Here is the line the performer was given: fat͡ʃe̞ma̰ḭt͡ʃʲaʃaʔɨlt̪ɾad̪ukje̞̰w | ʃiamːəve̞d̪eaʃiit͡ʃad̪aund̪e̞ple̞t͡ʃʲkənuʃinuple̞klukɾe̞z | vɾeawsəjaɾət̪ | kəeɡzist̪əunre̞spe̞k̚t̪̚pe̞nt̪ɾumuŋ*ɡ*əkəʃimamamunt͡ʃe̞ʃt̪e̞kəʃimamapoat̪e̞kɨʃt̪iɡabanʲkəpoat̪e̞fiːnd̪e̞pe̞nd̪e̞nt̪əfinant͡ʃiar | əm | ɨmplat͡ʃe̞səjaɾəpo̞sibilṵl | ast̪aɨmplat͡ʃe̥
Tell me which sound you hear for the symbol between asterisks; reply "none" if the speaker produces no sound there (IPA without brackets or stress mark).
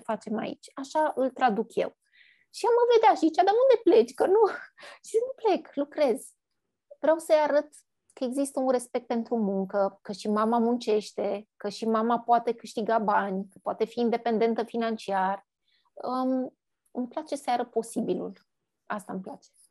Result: k